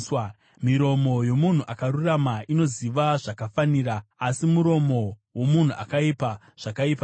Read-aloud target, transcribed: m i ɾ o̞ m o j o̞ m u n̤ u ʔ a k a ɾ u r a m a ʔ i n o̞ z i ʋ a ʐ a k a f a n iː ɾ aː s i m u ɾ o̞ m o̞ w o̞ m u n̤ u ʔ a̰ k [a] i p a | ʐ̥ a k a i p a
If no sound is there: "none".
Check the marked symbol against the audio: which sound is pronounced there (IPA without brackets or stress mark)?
a